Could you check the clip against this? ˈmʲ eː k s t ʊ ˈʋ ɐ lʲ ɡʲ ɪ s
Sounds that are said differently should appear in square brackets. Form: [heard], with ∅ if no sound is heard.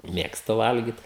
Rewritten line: ˈmʲ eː k s t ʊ ˈʋ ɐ lʲ ɡʲ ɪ [t]